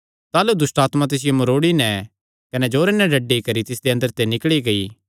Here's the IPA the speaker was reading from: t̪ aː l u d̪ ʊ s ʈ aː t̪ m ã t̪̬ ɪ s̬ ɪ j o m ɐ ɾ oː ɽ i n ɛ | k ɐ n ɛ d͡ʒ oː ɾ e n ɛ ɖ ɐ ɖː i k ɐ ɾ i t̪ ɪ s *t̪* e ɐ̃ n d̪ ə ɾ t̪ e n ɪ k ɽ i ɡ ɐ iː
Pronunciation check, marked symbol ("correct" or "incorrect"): incorrect